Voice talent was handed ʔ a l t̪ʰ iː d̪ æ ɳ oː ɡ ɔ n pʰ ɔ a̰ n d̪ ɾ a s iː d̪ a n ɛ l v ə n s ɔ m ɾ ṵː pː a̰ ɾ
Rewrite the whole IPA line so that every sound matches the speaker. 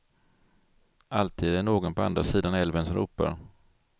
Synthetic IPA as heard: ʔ a l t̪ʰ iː d̪ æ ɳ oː ɡ ɔ n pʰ ɔ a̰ n d̪ ɾ a s iː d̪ a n ɛ l v ə n s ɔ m ɾ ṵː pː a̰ ɾ